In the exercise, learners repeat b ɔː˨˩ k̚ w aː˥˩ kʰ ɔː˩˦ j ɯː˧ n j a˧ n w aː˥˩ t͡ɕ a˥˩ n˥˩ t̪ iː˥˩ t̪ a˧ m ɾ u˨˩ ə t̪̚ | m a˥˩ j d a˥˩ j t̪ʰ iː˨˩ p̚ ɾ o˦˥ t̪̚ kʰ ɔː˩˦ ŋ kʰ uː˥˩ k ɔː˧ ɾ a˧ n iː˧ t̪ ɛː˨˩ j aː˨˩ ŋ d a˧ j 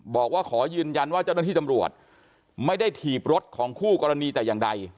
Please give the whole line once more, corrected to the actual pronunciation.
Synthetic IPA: b ɔː˨˩ k̚ w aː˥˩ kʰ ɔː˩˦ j ɯː˧ n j a˧ n w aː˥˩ t͡ɕ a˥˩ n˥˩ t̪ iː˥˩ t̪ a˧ m ɾ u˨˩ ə t̪̚ | m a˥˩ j d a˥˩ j t̪ʰ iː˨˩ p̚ ɾ o˦˥ t̪̚ kʰ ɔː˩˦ ŋ kʰ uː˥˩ k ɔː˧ ɾ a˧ n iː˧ t̪ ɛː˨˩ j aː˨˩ ŋ d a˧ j